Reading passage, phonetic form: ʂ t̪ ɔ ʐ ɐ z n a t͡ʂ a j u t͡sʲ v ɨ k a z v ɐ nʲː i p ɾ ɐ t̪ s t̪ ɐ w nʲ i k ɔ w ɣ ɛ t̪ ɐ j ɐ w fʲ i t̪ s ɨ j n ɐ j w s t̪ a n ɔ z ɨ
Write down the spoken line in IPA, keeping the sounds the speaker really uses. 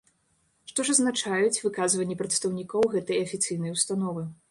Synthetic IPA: ʂ t̪ ɔ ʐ ɐ z n a t͡ʂ a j u t͡sʲ v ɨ k a z v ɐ nʲː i p ɾ ɐ t̪ s t̪ ɐ w nʲ i k ɔ w ɣ ɛ t̪ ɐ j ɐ fʲ i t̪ s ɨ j n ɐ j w s t̪ a n ɔ v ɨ